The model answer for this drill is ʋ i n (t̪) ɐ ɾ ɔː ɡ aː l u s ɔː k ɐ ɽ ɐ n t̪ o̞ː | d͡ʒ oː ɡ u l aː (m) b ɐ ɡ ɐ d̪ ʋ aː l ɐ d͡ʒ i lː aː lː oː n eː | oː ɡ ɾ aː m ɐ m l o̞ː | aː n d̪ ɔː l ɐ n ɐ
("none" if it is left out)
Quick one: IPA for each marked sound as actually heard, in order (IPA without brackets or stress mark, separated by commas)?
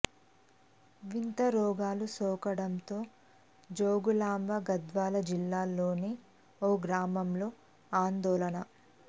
t̪, m